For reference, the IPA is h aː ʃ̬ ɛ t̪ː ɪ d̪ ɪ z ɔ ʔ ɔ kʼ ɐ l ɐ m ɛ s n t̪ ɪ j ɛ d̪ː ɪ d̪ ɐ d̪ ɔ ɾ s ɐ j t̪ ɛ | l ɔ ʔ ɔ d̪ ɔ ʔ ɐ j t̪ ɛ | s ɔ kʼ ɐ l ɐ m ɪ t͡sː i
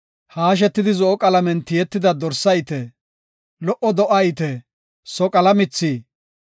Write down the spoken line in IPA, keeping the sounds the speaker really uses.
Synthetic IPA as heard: h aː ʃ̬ ɛ t̪ː ɪ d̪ ɪ z ɔ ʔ ɔ kʼ ɐ l ɐ m ɛ n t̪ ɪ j ɛ t̪ː ɪ d̪ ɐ d̪ ɔ ɾ s ɐ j t̪ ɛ | l ɔ ʔ ɔ d̪ ɔ ʔ ɐ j t̪ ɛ | s ɔ kʼ ɐ l ɐ m ɪ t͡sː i